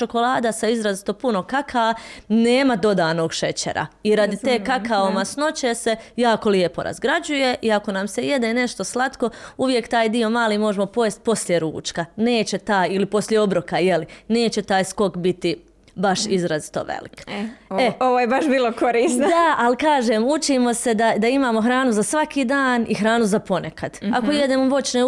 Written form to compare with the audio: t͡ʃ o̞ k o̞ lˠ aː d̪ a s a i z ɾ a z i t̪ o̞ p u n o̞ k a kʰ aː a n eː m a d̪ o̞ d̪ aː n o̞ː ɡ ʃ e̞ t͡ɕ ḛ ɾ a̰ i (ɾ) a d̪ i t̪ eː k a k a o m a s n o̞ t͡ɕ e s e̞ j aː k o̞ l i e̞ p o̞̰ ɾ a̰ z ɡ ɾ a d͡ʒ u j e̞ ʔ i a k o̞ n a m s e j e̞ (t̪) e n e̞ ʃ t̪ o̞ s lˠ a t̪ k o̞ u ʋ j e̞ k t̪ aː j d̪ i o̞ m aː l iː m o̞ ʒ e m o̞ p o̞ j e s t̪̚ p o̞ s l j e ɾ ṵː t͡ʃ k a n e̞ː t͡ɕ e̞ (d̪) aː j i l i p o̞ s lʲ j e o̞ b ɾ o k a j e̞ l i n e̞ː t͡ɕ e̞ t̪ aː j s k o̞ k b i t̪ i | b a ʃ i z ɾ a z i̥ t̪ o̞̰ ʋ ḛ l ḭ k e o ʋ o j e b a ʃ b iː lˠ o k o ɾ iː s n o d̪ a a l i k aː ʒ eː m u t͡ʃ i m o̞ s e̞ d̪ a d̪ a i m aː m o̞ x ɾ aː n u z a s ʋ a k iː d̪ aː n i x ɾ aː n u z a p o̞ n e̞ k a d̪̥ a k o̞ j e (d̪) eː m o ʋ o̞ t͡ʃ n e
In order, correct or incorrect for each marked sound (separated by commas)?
correct, incorrect, incorrect, correct